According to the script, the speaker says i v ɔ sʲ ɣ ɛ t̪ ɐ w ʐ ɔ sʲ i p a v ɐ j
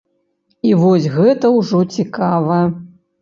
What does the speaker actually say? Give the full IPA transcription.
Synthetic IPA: i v ɔ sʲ ɣ ɛ t̪ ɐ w ʐ ɔ t͡sʲ i k a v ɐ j